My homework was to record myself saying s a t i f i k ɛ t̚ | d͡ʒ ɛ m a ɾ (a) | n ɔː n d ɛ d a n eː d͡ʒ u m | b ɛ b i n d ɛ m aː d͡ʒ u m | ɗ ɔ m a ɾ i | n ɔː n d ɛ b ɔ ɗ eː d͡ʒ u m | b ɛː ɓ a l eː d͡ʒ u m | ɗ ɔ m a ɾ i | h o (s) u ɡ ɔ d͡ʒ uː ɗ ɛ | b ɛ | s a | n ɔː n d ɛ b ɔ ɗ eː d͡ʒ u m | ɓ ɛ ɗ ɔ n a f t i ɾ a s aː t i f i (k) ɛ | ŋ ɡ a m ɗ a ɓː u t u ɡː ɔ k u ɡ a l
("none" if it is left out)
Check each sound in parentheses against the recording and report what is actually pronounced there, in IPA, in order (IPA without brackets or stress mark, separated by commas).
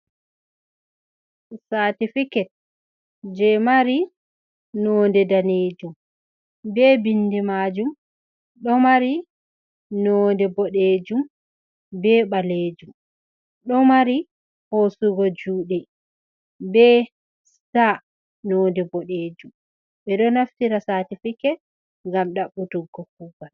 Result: i, s, k